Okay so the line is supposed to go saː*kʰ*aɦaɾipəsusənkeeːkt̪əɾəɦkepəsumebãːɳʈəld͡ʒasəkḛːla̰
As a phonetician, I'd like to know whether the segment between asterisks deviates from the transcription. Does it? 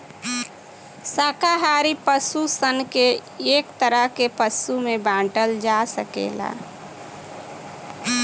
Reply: yes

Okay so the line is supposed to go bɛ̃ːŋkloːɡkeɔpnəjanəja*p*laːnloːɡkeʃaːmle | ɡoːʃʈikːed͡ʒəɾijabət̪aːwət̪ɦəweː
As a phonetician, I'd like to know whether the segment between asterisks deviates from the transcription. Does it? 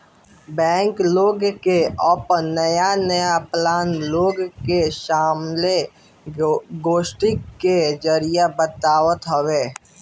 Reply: no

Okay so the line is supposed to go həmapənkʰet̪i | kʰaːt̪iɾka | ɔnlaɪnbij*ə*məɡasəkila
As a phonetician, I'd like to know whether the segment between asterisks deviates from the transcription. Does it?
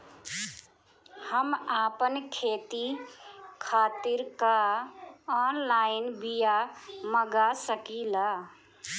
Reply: yes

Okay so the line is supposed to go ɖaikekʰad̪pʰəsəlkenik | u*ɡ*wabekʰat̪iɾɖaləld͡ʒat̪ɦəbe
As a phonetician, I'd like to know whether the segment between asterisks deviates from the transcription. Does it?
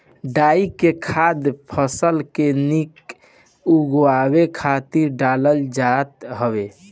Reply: no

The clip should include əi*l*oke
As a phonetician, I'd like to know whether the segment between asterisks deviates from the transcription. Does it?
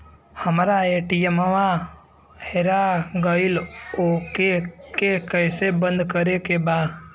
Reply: no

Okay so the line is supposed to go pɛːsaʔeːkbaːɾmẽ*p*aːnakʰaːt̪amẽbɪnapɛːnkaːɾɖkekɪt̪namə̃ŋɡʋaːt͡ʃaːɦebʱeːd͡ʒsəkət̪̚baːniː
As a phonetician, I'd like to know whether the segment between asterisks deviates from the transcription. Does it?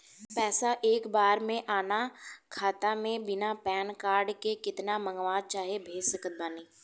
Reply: yes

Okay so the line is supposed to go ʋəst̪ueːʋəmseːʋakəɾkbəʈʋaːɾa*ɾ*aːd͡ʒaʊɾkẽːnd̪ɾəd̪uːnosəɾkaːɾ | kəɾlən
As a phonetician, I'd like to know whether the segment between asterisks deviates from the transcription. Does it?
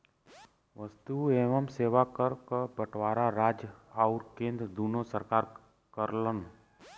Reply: no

